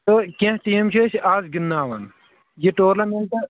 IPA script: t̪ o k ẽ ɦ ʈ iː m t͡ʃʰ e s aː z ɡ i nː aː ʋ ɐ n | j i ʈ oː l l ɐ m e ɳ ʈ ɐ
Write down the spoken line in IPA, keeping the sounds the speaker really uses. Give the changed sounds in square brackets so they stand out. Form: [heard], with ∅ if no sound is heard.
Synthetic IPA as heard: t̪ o k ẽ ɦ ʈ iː m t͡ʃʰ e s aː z ɡ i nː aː ʋ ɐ n | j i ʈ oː [ɾ] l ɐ m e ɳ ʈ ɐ

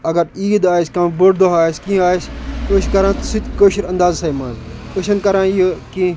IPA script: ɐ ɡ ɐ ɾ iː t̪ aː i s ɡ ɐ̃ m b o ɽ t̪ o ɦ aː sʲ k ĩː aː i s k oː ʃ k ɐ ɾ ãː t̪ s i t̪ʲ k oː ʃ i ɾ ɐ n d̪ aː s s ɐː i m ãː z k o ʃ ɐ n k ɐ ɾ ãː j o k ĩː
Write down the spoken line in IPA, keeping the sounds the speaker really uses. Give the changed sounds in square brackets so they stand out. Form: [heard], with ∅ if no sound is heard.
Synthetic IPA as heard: ɐ ɡ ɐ ɾ iː [d̪] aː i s [k] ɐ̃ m b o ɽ [d̪] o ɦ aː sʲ k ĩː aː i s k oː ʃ k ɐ ɾ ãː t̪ s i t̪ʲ k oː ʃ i ɾ ɐ n d̪ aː [z] s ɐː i m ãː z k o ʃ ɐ n k ɐ ɾ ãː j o k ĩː

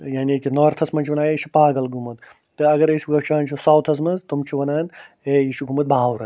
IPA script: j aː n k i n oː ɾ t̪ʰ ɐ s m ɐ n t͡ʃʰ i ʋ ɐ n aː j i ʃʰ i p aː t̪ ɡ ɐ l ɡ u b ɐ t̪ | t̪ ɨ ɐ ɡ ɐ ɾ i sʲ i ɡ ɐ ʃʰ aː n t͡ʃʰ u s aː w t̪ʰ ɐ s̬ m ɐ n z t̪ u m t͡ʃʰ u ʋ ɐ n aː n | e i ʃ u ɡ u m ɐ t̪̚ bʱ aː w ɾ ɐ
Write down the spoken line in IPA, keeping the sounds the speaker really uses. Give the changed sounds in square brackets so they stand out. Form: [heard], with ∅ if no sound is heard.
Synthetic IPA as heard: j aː n k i n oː ɾ t̪ʰ ɐ s m ɐ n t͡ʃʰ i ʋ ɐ n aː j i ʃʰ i p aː [∅] ɡ ɐ l ɡ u [m] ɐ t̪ | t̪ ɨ ɐ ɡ ɐ ɾ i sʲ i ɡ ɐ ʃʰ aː n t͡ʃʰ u s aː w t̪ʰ ɐ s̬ m ɐ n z t̪ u m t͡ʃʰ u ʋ ɐ n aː n | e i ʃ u ɡ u m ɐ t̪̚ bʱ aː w ɾ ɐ

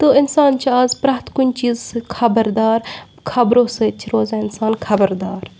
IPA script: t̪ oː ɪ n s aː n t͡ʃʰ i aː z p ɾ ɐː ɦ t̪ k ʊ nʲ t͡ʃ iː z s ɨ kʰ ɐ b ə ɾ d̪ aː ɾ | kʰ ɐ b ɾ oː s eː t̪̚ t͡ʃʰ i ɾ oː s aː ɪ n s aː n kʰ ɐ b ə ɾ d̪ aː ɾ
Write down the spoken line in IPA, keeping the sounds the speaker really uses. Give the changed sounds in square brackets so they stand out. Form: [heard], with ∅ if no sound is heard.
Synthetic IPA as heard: t̪ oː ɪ n s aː n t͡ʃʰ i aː z p ɾ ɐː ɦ t̪ k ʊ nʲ t͡ʃ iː z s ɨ kʰ ɐ b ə ɾ d̪ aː ɾ | kʰ ɐ b ɾ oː s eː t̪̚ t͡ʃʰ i ɾ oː [z] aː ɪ n s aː n kʰ ɐ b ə ɾ d̪ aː ɾ

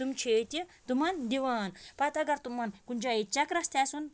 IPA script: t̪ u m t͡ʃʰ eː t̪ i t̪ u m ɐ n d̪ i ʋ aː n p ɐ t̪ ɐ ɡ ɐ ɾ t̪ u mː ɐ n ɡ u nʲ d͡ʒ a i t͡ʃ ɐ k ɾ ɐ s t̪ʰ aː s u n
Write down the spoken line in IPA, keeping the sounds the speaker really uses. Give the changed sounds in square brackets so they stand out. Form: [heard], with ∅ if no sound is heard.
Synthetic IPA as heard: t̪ u m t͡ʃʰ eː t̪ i t̪ u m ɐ n d̪ i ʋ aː n p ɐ t̪ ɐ ɡ ɐ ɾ t̪ u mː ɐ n [k] u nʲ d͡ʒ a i t͡ʃ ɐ k ɾ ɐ s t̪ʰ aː s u n

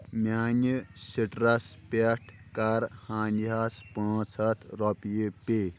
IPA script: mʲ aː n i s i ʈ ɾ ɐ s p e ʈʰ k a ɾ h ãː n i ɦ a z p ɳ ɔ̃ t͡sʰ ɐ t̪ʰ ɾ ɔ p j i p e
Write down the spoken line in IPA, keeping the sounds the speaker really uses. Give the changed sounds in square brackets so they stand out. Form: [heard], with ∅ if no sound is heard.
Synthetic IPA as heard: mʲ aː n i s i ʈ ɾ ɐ s p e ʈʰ k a ɾ h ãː n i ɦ a [s] p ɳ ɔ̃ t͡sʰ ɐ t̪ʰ ɾ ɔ p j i p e

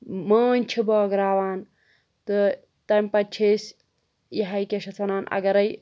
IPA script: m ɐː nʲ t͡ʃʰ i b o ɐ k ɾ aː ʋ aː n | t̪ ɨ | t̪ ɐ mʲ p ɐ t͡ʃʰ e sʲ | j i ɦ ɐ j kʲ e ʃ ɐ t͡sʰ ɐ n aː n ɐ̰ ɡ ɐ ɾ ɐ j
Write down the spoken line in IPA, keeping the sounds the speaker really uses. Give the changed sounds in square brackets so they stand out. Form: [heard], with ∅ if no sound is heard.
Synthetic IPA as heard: m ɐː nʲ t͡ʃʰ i b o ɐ [ɡ] ɾ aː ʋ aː n | t̪ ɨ | t̪ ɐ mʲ p ɐ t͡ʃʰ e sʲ | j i ɦ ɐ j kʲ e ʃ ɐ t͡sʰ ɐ n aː n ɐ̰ ɡ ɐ ɾ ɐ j

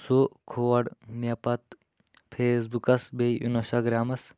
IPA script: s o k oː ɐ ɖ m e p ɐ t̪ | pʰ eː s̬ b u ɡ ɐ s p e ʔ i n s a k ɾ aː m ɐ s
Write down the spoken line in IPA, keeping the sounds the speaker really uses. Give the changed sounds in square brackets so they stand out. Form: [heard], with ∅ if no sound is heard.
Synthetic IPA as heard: s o [kʰ] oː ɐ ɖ m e p ɐ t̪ | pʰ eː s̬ b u [k] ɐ s [b] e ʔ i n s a [ɡ] ɾ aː m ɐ s

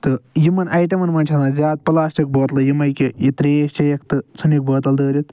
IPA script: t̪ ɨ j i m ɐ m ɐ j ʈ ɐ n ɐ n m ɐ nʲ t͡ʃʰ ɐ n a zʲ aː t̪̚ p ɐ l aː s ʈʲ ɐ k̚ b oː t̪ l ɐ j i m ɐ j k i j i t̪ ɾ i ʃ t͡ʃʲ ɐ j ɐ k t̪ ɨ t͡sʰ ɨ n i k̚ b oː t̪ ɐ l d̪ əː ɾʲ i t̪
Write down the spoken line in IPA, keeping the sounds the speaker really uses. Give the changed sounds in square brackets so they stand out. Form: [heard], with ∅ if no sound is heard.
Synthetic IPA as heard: t̪ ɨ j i m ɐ [n] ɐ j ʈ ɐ [m] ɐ n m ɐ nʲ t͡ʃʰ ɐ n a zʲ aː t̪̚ p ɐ l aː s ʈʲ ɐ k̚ b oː t̪ l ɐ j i m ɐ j k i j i t̪ ɾ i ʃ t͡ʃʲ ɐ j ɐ k t̪ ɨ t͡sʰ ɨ n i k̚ b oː t̪ ɐ l d̪ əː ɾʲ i t̪

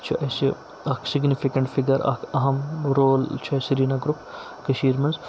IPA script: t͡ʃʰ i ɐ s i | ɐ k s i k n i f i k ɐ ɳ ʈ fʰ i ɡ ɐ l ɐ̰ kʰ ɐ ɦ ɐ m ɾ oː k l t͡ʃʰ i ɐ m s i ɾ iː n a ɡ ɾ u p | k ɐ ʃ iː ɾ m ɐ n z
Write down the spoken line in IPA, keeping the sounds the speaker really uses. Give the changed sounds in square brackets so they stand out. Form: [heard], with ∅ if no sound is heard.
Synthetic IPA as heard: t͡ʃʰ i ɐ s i | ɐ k s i [ɡ] n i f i k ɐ ɳ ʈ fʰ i ɡ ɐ [ɾ] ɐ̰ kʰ ɐ ɦ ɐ m ɾ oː [∅] l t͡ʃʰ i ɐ [∅] s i ɾ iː n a ɡ ɾ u p | k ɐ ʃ iː ɾ m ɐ n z

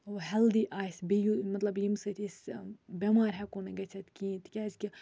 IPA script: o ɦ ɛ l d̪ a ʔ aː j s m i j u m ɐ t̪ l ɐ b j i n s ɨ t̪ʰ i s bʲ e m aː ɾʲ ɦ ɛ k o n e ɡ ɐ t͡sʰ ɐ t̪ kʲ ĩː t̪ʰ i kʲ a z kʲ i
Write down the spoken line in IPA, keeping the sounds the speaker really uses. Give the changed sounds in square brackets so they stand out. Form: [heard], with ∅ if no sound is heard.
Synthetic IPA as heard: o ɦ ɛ l d̪ [i] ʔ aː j s [b] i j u m ɐ t̪ l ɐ b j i [m] s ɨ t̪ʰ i s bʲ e m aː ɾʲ ɦ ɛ k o n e ɡ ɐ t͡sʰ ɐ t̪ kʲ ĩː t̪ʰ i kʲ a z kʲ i

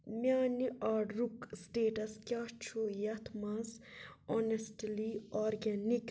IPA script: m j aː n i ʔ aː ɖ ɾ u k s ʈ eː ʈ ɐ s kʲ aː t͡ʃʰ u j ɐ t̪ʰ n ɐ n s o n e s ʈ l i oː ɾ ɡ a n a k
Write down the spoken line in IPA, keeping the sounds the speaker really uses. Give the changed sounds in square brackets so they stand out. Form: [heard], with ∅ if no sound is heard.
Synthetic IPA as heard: m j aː n i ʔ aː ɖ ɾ u k s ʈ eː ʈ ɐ s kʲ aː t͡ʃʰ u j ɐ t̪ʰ [m] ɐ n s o n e s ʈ l i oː ɾ ɡ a n [i] k

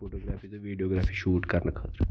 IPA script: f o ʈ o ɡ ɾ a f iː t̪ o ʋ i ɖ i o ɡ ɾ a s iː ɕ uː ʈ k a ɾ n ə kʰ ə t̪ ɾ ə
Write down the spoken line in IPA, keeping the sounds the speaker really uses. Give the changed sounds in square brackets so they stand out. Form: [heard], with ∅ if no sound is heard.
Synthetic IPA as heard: f o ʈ o ɡ ɾ a f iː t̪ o ʋ i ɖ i o ɡ ɾ a [f] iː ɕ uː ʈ k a ɾ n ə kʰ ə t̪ ɾ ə

